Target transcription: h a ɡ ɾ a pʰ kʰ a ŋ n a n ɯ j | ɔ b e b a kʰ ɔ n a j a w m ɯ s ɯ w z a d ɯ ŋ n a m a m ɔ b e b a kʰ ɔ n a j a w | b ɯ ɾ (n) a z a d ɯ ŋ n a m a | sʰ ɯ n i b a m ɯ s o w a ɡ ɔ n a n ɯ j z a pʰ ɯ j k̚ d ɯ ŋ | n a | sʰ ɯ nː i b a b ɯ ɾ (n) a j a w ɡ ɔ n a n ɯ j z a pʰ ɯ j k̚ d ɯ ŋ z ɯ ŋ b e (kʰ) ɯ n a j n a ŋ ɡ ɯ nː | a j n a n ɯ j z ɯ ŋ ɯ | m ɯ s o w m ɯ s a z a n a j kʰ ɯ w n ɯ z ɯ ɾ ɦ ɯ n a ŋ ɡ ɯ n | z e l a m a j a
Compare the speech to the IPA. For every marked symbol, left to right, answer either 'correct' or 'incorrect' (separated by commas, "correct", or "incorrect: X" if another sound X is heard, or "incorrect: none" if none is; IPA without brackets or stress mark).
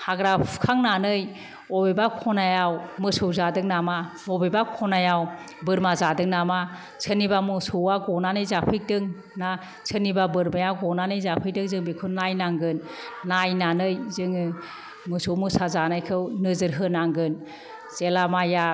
incorrect: m, incorrect: m, correct